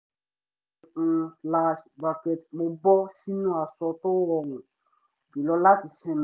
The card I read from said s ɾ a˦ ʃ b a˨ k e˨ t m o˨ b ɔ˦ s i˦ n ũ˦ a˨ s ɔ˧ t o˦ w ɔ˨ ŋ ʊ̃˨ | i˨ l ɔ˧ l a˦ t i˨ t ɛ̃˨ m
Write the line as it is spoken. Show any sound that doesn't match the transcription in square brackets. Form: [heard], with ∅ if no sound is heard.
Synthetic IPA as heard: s [l] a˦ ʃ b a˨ k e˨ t m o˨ b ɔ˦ s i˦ n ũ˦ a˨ s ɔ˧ t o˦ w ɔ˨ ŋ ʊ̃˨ | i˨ l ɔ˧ l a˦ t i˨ [s] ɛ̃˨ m